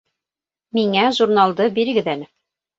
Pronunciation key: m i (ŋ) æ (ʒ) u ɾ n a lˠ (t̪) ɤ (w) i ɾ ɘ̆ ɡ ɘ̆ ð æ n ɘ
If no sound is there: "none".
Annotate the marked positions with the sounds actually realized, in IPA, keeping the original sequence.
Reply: ŋ, ʒ, d̪, b

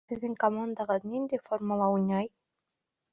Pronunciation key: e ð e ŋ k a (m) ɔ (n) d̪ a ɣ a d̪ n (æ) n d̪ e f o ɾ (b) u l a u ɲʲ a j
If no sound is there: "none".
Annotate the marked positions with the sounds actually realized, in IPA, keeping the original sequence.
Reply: m, n, i, m

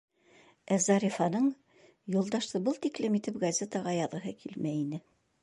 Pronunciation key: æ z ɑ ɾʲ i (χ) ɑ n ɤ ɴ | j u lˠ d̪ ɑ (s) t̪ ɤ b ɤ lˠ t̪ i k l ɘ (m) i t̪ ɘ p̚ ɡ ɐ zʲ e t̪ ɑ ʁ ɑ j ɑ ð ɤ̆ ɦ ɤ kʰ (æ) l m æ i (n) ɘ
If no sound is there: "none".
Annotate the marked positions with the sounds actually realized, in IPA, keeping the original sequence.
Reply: f, ʃ, m, i, n

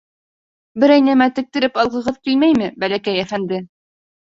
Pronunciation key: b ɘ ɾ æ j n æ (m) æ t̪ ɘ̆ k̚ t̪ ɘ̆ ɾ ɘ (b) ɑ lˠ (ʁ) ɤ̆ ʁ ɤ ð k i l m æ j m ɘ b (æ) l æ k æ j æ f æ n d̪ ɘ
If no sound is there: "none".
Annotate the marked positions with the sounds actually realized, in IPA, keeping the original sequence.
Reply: m, p, ʁ, æ

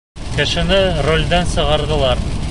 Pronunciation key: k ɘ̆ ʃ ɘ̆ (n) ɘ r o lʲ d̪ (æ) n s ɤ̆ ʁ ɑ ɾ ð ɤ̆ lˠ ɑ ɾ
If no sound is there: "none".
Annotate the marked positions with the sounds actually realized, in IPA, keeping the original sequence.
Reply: n, æ

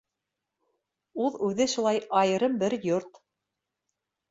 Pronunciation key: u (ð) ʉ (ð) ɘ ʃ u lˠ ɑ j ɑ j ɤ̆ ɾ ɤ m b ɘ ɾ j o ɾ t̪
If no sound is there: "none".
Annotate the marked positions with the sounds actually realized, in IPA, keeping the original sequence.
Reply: ð, ð

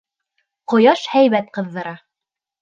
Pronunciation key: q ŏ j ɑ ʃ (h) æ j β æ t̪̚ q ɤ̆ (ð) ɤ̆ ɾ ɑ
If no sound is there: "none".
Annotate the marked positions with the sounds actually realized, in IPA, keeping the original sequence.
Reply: h, ðː

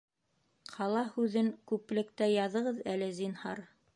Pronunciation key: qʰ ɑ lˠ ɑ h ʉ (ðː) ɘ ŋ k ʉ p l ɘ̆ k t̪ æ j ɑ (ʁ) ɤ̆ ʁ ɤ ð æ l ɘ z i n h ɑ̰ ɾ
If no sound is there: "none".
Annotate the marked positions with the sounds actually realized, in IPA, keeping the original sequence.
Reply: ð, ð

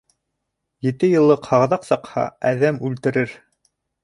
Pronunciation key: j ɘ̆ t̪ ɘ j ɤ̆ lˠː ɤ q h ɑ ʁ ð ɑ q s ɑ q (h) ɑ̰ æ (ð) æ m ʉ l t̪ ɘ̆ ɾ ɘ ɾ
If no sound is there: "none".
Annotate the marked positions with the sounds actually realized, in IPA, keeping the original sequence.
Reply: h, ð

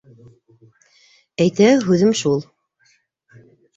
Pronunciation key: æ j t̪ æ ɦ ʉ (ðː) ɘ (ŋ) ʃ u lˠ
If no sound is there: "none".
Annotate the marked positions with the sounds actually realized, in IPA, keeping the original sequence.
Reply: ð, m

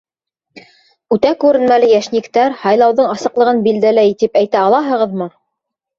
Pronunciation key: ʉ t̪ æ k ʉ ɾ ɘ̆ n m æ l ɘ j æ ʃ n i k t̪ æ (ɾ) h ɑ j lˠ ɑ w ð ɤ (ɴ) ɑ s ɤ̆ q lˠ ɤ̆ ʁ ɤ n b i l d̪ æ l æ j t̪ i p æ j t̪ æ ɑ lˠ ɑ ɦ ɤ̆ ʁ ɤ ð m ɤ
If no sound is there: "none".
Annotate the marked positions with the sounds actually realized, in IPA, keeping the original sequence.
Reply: ɾ, ɴ

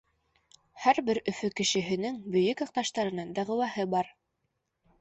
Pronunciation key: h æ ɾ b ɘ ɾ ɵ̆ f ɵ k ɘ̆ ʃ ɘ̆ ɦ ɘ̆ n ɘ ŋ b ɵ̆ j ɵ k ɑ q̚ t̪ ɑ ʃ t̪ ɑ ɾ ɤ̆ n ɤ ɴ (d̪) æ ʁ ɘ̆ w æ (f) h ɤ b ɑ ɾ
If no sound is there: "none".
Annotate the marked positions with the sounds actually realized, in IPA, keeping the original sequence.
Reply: d̪, none

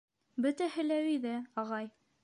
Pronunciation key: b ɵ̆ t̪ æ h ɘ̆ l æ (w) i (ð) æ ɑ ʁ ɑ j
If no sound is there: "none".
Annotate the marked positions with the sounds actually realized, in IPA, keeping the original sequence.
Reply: w, ð

